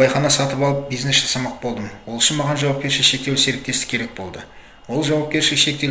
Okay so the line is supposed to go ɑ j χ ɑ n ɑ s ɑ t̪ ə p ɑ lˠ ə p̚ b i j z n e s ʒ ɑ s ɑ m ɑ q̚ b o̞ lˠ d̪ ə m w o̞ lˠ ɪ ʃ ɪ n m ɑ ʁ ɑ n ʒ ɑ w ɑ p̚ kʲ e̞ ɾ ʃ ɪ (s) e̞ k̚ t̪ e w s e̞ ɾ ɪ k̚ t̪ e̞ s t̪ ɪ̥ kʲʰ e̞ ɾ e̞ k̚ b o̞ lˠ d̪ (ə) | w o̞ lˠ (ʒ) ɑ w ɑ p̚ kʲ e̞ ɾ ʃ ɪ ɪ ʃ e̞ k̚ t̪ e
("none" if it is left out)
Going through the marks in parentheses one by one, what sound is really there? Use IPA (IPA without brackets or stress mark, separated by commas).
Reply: ʃ, ə, ʒ